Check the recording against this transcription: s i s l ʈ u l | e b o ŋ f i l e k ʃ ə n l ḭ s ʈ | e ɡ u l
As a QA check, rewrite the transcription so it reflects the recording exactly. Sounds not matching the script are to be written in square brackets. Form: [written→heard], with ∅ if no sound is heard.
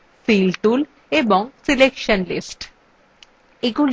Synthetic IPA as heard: [s→f] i [s→∅] l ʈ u l | e b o ŋ [f→s] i l e k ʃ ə n l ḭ s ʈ | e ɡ u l